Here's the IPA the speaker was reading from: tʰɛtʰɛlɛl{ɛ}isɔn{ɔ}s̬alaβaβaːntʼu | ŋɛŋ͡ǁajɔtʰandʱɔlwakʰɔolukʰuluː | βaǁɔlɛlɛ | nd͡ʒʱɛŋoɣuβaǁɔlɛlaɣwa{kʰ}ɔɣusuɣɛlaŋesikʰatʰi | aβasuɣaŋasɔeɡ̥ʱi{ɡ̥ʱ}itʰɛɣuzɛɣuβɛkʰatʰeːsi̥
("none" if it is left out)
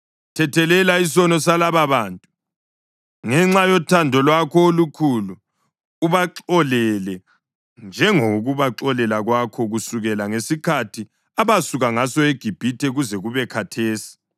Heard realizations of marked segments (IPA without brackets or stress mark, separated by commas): a, ɔ, kʰ, b̥ʱ